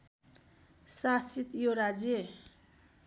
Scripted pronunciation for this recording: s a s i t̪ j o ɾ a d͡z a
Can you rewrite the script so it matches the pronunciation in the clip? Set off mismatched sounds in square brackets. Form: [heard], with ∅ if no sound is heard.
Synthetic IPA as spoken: s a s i t̪ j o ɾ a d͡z [e]